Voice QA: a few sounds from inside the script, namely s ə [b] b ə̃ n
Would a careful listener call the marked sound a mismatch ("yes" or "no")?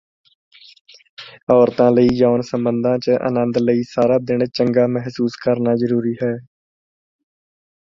yes